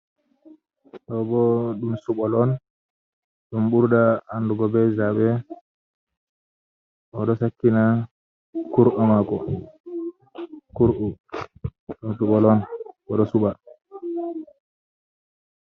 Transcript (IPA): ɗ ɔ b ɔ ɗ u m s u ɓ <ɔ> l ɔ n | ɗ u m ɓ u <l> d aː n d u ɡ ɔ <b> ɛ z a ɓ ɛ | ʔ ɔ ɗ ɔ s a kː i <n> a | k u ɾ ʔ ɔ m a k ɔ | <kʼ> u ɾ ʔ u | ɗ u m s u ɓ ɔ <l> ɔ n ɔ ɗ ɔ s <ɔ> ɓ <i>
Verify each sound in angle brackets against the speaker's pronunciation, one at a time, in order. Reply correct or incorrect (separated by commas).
correct, incorrect, correct, correct, incorrect, correct, incorrect, incorrect